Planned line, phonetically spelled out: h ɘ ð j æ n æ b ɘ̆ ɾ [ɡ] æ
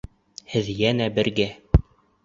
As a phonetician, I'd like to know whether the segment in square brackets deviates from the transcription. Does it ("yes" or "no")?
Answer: no